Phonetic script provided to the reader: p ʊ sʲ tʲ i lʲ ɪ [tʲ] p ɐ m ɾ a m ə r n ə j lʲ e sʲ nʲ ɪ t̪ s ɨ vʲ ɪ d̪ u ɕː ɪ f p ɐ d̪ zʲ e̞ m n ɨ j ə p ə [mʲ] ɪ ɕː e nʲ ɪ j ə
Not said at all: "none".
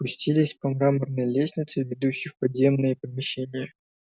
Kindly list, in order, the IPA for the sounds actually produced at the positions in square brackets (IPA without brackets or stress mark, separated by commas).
sʲ, mʲ